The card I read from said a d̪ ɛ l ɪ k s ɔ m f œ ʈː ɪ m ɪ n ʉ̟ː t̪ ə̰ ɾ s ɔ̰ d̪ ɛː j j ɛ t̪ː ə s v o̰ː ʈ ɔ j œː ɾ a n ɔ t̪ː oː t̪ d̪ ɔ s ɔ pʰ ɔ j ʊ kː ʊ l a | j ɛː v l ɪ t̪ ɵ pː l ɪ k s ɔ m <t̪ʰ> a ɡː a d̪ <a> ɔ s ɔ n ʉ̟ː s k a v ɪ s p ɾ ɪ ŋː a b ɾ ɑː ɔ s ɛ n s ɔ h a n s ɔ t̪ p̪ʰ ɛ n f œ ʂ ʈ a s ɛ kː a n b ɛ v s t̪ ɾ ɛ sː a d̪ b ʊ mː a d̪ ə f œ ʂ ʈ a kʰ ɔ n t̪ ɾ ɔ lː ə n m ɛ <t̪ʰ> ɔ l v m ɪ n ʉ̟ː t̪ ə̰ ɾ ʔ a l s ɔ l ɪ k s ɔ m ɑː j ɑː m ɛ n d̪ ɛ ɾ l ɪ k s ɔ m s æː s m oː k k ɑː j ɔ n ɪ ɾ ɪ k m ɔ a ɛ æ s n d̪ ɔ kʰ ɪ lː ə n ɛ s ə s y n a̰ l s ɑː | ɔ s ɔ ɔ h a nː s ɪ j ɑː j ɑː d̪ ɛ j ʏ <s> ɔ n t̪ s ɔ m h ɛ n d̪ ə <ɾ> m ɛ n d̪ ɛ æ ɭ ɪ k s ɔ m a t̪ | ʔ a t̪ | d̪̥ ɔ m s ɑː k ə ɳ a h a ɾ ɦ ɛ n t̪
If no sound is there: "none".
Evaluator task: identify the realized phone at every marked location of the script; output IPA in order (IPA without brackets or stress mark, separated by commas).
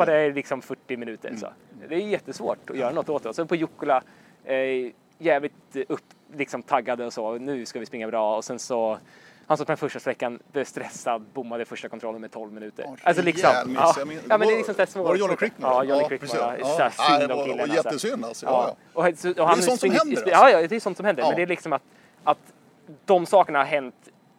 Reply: t̪ʰ, ə, t̪ʰ, s, ɾ